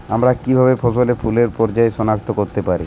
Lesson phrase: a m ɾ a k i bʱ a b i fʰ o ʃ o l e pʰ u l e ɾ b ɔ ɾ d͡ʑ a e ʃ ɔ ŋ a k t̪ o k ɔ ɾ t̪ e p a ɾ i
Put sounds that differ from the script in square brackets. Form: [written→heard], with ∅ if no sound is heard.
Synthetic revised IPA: a m ɾ a k i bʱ a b [i→e] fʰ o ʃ o l e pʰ u l e ɾ [b→p] ɔ ɾ d͡ʑ a e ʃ ɔ [ŋ→n] a k t̪ o k [ɔ→o] ɾ t̪ e p a ɾ i